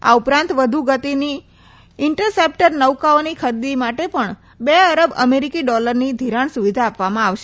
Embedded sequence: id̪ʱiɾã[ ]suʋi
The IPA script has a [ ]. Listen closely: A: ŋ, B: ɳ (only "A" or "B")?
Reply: B